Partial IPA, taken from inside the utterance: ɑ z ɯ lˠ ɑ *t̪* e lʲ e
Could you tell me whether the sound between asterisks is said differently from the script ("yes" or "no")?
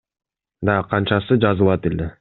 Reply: no